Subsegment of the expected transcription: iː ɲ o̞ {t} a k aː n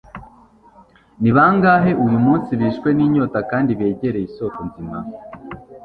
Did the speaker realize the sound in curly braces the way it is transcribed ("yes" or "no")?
yes